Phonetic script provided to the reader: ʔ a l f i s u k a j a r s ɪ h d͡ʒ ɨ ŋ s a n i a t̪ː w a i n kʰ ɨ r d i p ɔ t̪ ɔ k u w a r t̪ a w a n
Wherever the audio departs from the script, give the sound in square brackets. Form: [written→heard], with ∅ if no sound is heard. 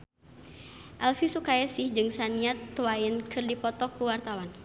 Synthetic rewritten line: ʔ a l f i s u k a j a [r→∅] s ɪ h d͡ʒ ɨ ŋ s a n i a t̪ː w a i n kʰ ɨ r d i p ɔ t̪ ɔ k u w a r t̪ a w a n

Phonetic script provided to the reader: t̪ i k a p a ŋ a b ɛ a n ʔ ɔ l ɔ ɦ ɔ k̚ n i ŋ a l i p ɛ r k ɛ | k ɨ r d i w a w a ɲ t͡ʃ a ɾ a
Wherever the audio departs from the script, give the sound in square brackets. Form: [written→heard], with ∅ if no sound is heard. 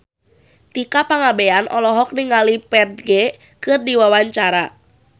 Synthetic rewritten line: t̪ i k a p a ŋ a b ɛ a n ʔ ɔ l ɔ ɦ ɔ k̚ n i ŋ a l i p ɛ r [k→ɡ] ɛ | k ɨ r d i w a w a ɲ t͡ʃ a ɾ a

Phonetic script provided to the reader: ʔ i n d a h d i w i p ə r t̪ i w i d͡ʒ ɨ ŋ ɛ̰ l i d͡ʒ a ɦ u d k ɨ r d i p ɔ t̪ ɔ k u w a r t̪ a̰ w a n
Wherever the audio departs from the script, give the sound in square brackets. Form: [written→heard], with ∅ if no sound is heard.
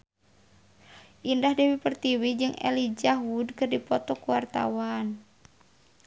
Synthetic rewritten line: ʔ i n d a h d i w i p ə r t̪ i w i d͡ʒ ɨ ŋ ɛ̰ l i d͡ʒ a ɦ u d k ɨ r d i p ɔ t̪ ɔ k u w a r t̪ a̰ w a n

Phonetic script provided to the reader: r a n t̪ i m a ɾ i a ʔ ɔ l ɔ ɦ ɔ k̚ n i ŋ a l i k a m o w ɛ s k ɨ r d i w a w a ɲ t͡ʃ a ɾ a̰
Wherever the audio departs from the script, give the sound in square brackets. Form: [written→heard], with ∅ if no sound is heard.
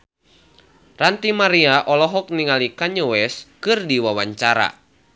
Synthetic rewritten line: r a n t̪ i m a ɾ i a ʔ ɔ l ɔ ɦ ɔ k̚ n i ŋ a l i k a [m→ɲ] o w ɛ s k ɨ r d i w a w a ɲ t͡ʃ a ɾ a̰

